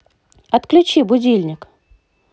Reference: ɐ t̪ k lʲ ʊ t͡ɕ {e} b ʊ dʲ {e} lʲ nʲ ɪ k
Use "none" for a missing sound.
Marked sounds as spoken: i, i

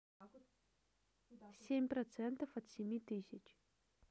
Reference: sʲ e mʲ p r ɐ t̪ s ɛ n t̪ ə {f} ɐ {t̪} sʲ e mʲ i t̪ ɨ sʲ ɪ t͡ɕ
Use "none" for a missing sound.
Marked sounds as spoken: f, t̪

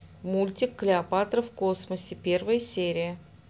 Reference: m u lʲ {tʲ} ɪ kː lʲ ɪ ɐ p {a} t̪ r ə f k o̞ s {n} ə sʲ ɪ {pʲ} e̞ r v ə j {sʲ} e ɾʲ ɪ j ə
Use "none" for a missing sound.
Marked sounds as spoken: tʲ, a, m, pʲ, sʲ

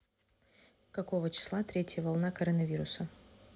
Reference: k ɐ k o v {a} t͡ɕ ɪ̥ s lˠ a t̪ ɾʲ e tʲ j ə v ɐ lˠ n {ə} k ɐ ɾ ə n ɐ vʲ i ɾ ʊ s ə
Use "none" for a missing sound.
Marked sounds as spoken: ə, a

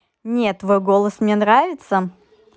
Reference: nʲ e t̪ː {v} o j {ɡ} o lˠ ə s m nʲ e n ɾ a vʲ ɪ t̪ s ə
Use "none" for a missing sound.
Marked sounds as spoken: v, ɡ

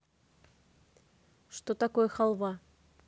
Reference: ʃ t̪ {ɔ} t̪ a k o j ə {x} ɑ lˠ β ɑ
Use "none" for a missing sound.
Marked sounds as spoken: o, x

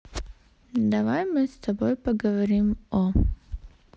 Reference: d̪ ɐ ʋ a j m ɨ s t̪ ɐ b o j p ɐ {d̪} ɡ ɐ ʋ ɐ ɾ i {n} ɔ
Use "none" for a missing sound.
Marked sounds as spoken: none, m

